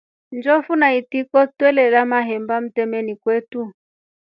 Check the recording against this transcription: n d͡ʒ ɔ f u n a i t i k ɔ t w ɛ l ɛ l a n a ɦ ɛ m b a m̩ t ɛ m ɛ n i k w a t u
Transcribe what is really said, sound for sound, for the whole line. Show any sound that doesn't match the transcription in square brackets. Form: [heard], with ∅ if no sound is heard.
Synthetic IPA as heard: n d͡ʒ ɔ f u n a i t i k ɔ t w ɛ l ɛ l a [m] a ɦ ɛ m b a m̩ t ɛ m ɛ n i k w [ɛ] t u